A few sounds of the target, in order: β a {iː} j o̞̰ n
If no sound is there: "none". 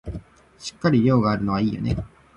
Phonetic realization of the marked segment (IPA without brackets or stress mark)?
iː